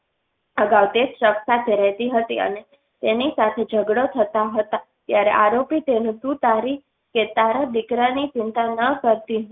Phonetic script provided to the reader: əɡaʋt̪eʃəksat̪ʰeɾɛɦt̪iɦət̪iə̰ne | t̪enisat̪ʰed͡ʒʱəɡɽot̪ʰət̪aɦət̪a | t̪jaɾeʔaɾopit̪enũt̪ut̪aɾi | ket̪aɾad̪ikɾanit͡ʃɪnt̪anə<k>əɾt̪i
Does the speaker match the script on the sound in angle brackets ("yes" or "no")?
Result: yes